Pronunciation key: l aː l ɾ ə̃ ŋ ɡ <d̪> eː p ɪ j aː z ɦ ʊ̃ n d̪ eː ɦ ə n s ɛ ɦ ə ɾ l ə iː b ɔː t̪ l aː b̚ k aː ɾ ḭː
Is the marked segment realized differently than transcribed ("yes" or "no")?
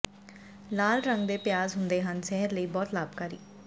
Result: no